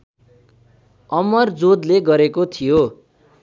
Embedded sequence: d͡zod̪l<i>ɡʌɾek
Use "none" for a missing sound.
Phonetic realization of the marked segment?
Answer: e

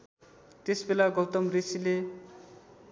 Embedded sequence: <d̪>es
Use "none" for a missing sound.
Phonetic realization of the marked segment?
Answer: t̪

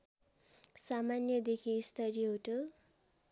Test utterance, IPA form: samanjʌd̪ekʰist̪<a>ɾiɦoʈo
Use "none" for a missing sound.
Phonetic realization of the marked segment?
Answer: ʌ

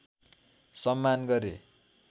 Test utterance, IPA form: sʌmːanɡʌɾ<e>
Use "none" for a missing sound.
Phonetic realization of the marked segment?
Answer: e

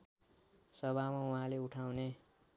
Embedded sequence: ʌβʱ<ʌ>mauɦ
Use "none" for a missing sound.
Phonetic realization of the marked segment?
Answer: a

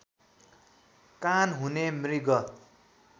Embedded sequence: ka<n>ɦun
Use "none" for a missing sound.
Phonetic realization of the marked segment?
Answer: n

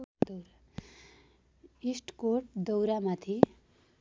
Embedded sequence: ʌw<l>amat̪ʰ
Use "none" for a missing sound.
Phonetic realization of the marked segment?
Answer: ɾ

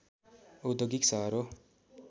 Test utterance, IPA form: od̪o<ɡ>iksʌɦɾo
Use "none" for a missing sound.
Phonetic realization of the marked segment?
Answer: ɡ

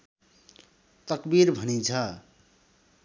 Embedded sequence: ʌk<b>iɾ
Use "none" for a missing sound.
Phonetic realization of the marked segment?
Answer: b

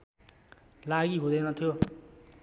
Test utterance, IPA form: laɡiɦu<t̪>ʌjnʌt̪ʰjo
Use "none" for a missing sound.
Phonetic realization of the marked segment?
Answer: d̪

